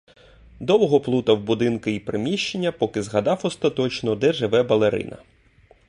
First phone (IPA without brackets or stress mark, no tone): d̪